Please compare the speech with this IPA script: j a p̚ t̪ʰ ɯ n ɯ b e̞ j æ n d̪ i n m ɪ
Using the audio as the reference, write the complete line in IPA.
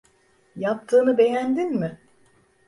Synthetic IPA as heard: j a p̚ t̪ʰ ɯː n ɯ b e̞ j æ n d̪ i n m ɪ